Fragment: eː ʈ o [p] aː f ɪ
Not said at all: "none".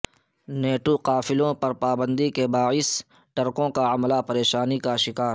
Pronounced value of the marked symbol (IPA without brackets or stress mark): q